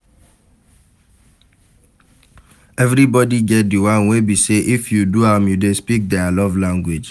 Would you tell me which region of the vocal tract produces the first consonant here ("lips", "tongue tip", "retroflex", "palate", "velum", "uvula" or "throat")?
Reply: lips